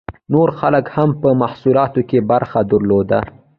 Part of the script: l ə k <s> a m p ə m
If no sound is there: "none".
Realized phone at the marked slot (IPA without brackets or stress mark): h